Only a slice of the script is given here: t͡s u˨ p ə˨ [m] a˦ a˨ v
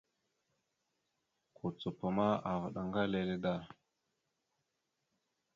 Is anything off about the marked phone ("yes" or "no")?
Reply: no